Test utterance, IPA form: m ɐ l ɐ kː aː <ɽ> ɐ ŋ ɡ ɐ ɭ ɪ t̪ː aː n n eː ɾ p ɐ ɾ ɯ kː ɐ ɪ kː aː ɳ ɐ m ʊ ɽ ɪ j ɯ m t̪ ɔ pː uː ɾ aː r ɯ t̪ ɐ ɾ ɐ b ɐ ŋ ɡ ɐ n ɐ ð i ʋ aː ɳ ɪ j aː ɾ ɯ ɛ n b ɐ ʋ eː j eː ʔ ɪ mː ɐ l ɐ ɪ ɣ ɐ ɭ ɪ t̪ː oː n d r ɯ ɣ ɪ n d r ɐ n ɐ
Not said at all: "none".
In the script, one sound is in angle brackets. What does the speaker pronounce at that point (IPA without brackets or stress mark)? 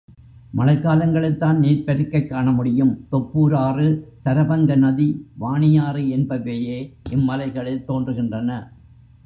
l